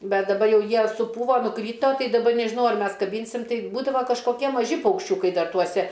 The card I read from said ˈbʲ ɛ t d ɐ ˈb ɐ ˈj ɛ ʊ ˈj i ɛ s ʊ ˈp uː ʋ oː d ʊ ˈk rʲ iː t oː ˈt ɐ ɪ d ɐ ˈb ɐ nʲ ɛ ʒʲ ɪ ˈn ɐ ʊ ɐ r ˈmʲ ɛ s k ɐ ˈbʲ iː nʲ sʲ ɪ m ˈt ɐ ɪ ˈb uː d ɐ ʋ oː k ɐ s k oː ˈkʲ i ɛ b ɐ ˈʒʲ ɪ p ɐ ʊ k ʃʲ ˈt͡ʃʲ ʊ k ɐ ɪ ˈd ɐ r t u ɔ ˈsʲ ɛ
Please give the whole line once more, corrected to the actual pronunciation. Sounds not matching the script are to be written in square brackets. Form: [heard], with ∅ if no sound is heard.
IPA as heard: ˈbʲ ɛ t d ɐ ˈb ɐ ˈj ɛ ʊ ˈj i ɛ s ʊ ˈp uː ʋ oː [n] ʊ ˈk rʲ iː t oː ˈt ɐ ɪ d ɐ ˈb ɐ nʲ ɛ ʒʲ ɪ ˈn ɐ ʊ ɐ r ˈmʲ ɛ s k ɐ ˈbʲ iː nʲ sʲ ɪ m ˈt ɐ ɪ ˈb uː d ɐ ʋ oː k ɐ [ʃ] k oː ˈkʲ i ɛ [m] ɐ ˈʒʲ ɪ p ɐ ʊ k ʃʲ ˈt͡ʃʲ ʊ k ɐ ɪ ˈd ɐ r t u ɔ ˈsʲ ɛ

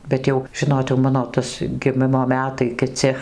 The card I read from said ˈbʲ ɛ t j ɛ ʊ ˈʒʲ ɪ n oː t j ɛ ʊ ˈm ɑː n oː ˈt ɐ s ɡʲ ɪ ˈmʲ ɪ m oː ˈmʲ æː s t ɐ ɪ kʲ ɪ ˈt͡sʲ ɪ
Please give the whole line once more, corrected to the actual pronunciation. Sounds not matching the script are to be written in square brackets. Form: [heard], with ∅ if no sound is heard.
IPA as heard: ˈbʲ ɛ t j ɛ ʊ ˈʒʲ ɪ n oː t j ɛ ʊ ˈm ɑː n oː ˈt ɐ s ɡʲ ɪ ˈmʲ ɪ m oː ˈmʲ æː [∅] t ɐ ɪ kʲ ɪ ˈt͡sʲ ɪ

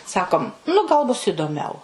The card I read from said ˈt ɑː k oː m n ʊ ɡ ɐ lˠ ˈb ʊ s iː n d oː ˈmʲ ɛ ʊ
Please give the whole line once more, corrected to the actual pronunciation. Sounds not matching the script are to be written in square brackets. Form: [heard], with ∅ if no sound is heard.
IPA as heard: [ˈs] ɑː k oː m n ʊ ɡ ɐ lˠ ˈb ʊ s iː [∅] d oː ˈmʲ ɛ ʊ

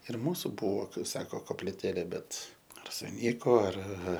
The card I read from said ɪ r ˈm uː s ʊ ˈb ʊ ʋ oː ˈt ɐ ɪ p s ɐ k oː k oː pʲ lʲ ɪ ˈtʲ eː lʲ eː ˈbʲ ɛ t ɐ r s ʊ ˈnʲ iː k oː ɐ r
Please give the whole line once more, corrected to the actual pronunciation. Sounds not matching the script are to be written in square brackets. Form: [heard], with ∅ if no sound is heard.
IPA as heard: ɪ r ˈm uː s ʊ ˈb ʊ ʋ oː [ˈk] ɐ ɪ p s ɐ k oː k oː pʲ lʲ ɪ ˈtʲ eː lʲ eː ˈbʲ ɛ t ɐ r s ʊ ˈnʲ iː k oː ɐ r

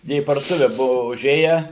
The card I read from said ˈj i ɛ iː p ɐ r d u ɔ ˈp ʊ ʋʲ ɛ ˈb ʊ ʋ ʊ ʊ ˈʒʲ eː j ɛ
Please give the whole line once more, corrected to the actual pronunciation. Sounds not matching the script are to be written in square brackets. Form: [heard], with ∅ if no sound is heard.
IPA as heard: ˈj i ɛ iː p ɐ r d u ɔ [ˈt] ʊ ʋʲ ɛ ˈb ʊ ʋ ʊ ʊ ˈʒʲ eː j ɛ

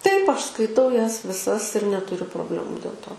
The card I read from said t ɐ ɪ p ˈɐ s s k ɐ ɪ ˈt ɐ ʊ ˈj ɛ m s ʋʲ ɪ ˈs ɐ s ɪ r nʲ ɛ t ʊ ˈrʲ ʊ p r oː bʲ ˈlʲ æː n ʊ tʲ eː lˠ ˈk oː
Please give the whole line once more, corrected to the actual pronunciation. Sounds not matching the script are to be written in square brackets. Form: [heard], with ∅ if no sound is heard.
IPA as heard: t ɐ ɪ p ˈɐ [ʃ] s k ɐ ɪ ˈt ɐ ʊ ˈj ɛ [∅] s ʋʲ ɪ ˈs ɐ s ɪ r nʲ ɛ t ʊ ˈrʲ ʊ p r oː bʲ ˈlʲ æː [m] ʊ [dʲ] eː lˠ [ˈt] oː

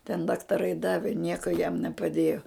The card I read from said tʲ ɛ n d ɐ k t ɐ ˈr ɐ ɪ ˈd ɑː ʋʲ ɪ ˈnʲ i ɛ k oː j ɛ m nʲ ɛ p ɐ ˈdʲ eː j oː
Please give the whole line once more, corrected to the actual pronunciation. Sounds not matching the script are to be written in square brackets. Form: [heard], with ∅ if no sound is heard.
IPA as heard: tʲ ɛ n d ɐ k t ɐ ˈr ɐ ɪ ˈd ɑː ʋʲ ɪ ˈnʲ i ɛ k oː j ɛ m nʲ ɛ p ɐ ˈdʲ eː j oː

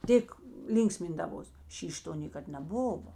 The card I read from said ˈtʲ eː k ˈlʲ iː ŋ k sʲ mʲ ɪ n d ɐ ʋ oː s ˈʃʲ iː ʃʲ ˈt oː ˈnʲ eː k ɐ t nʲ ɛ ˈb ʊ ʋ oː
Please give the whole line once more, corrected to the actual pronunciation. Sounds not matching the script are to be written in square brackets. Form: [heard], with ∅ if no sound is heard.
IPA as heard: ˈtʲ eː k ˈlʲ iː ŋ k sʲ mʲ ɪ n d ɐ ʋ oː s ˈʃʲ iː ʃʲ ˈt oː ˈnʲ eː k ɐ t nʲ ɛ ˈb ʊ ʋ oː

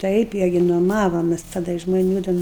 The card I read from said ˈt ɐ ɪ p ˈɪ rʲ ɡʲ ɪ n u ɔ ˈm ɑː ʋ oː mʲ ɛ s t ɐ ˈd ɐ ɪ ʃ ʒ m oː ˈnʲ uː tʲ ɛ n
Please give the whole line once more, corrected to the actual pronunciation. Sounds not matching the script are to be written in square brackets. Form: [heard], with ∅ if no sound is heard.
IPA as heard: ˈt ɐ ɪ p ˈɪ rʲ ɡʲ ɪ n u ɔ ˈm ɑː ʋ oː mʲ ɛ s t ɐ ˈd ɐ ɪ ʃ ʒ m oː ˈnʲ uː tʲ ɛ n

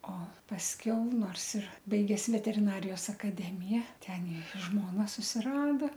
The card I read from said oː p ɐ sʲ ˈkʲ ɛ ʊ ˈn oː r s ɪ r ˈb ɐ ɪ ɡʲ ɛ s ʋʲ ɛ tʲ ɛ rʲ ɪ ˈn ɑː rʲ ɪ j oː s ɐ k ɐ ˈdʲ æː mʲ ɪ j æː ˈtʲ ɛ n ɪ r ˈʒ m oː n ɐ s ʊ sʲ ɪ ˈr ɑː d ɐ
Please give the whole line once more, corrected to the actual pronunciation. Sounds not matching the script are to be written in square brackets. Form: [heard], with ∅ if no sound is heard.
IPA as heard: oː p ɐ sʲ ˈkʲ ɛ ʊ ˈn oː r s ɪ r ˈb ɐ ɪ ɡʲ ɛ s ʋʲ ɛ tʲ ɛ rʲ ɪ ˈn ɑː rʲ ɪ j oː s ɐ k ɐ ˈdʲ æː mʲ ɪ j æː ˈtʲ ɛ n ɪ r ˈʒ m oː n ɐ s ʊ sʲ ɪ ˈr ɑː d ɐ

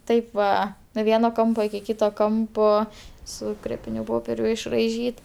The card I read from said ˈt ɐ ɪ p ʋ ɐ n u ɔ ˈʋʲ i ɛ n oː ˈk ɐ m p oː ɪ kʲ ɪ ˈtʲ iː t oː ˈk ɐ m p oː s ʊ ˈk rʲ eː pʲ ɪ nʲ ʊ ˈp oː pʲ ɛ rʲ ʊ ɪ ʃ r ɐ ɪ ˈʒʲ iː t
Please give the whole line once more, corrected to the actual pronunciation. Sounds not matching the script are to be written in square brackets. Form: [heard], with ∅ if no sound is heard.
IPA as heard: ˈt ɐ ɪ p ʋ ɐ n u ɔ ˈʋʲ i ɛ n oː ˈk ɐ m p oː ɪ kʲ ɪ [ˈkʲ] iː t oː ˈk ɐ m p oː s ʊ ˈk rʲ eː pʲ ɪ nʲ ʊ ˈp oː pʲ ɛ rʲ ʊ ɪ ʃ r ɐ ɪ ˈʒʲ iː t

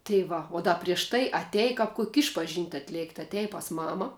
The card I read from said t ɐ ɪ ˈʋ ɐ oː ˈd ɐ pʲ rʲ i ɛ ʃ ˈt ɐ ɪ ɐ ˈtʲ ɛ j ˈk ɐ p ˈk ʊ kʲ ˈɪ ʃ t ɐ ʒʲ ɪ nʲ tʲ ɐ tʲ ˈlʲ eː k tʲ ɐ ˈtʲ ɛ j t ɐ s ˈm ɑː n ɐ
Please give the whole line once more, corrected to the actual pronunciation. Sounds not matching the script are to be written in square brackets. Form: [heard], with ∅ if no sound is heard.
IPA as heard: t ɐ ɪ ˈʋ ɐ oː ˈd ɐ pʲ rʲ i ɛ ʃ ˈt ɐ ɪ ɐ ˈtʲ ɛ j ˈk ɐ p ˈk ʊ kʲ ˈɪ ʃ [p] ɐ ʒʲ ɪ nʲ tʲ ɐ tʲ ˈlʲ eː k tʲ ɐ ˈtʲ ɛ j [p] ɐ s ˈm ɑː [m] ɐ

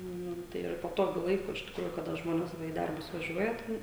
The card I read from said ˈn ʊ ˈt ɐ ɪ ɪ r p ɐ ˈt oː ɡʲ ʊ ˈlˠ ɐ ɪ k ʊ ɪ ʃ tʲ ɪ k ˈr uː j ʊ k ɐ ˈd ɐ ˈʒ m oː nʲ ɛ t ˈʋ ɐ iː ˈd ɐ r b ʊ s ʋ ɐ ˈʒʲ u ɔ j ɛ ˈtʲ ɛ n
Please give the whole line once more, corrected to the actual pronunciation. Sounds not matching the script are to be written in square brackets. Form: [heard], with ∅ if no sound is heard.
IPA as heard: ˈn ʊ ˈt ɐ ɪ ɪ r p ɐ ˈt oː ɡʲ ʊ ˈlˠ ɐ ɪ k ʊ ɪ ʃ tʲ ɪ k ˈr uː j ʊ k ɐ ˈd ɐ ˈʒ m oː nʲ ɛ [s] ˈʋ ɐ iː ˈd ɐ r b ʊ s ʋ ɐ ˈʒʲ u ɔ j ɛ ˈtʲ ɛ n

